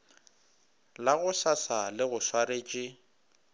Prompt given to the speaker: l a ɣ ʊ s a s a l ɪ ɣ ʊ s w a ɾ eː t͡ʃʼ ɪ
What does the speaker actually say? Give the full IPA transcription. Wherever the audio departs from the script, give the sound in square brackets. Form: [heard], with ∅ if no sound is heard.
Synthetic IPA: l a ɣ ʊ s a s a l ɪ ɣ ʊ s w a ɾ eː t͡ʃʼ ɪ